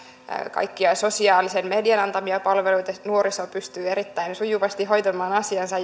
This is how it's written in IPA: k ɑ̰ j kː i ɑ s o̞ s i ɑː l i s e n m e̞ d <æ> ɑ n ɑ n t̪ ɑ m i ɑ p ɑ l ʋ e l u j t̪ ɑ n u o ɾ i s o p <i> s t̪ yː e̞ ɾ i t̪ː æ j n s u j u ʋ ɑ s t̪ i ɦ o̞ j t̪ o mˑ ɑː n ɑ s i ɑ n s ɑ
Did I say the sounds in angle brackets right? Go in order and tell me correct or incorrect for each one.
incorrect, incorrect

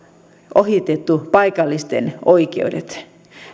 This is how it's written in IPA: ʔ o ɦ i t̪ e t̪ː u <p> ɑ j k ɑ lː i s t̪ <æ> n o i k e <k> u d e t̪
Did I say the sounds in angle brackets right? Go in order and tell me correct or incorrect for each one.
correct, incorrect, incorrect

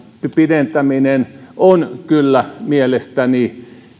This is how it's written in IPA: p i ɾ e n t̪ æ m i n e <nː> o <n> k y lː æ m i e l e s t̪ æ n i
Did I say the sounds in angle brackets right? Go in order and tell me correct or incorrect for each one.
incorrect, correct

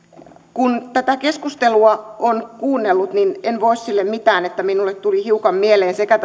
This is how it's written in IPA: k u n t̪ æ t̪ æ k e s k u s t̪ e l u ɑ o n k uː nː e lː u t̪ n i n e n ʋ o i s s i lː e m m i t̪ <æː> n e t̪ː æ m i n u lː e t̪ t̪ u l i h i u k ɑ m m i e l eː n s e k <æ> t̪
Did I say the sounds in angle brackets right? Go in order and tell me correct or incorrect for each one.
correct, correct

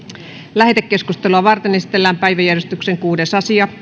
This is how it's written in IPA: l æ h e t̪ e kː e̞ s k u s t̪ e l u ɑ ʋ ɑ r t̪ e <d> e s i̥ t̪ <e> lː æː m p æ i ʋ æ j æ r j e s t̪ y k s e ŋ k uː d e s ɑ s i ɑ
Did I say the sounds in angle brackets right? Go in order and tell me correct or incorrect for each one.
incorrect, correct

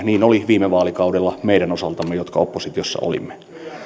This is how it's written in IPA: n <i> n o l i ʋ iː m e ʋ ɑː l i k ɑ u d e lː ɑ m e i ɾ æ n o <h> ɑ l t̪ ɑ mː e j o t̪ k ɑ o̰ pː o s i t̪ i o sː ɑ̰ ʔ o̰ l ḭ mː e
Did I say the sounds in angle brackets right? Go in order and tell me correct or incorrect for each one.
incorrect, incorrect

